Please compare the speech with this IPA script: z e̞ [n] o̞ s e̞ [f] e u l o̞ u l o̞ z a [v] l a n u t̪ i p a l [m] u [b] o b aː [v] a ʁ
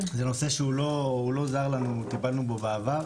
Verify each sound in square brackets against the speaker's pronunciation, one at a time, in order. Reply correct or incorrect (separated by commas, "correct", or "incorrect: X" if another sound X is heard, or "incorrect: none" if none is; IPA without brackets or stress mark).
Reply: correct, incorrect: ʃ, incorrect: ʁ, incorrect: n, correct, correct